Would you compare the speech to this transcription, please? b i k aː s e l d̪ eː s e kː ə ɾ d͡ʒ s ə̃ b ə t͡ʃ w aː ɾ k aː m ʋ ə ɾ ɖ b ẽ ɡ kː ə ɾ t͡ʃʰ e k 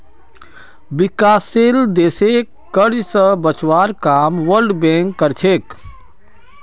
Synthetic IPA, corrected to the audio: b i k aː s e l d̪ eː s e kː ə ɾ d͡ʒ s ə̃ b ə t͡ʃ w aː ɾ k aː m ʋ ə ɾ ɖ b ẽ ŋ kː ə ɾ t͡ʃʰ e k